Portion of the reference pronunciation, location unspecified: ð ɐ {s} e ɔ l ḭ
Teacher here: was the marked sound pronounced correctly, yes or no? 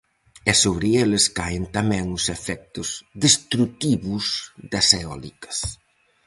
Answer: yes